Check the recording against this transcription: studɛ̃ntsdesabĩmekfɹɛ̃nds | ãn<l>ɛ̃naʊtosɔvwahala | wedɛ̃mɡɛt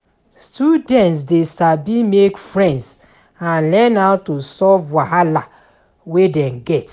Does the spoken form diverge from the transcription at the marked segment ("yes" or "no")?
no